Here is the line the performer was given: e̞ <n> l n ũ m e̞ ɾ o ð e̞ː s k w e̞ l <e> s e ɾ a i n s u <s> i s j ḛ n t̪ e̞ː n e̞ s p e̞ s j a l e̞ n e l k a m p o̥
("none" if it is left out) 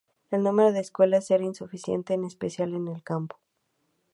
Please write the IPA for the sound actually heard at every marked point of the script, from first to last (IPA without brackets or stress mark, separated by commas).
none, a, f